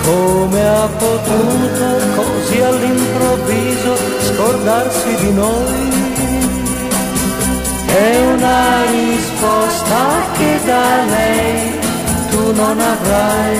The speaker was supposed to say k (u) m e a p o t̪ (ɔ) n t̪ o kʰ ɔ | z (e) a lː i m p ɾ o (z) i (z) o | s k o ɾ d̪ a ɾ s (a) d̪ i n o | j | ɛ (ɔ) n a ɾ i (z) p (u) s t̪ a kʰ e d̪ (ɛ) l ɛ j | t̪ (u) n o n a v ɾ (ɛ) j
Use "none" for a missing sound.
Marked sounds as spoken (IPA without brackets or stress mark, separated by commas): o, u, i, v, z, i, u, s, ɔ, a, u, a